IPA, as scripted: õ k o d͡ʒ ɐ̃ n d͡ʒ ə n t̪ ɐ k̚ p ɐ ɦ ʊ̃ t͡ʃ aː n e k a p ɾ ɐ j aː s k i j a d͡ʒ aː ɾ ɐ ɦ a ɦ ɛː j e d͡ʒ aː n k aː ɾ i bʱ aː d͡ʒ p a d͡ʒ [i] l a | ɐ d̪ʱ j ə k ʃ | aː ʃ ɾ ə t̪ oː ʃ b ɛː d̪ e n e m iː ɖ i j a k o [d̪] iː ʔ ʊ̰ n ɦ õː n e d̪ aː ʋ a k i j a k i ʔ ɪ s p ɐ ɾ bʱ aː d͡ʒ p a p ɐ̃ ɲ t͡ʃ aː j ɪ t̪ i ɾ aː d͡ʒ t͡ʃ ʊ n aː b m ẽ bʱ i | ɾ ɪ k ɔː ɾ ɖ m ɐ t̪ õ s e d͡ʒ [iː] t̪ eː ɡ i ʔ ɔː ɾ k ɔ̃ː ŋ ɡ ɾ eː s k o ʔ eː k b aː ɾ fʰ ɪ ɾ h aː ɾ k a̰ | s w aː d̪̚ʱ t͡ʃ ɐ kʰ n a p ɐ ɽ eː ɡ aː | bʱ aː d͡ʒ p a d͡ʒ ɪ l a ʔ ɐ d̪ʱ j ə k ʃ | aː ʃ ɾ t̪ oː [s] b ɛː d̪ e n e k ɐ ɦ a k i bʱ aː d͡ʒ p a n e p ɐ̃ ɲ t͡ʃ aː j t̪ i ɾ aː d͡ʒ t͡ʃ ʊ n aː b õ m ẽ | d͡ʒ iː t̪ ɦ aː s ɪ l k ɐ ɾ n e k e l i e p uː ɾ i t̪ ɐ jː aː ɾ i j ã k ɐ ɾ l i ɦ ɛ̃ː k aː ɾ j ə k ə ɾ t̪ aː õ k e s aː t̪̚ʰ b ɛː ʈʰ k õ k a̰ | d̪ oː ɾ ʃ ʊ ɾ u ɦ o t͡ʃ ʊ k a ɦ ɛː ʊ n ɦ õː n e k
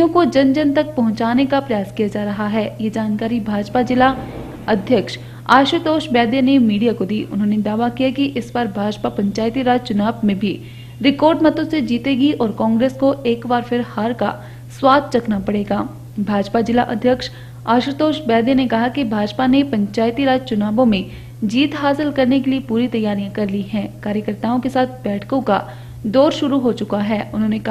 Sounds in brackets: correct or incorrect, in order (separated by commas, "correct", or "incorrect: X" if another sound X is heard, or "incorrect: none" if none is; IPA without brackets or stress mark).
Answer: incorrect: ɪ, correct, correct, incorrect: ʃ